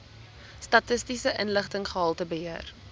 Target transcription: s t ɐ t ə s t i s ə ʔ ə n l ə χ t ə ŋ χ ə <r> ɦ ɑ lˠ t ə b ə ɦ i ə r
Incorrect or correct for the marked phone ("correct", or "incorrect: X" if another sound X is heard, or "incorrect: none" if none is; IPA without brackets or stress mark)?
incorrect: none